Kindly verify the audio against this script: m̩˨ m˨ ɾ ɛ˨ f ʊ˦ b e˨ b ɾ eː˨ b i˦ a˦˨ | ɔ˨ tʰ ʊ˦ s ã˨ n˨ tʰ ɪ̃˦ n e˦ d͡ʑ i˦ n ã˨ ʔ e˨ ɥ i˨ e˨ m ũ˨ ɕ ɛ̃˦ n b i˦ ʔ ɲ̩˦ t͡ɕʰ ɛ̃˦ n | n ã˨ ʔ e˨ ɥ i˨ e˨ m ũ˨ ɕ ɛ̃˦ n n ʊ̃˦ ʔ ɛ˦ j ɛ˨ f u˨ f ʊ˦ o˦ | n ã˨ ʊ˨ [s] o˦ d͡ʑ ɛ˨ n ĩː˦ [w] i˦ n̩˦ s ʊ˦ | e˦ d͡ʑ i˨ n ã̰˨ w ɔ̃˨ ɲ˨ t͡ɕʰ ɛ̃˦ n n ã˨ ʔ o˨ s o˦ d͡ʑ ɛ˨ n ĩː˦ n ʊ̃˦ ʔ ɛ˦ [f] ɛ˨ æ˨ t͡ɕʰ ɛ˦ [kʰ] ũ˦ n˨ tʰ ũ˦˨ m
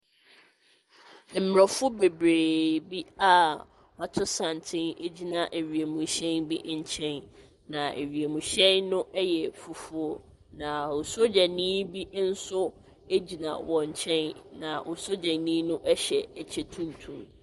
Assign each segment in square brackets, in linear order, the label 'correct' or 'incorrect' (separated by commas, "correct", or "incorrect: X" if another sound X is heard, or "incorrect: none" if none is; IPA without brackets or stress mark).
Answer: correct, incorrect: b, incorrect: ɕ, incorrect: tʰ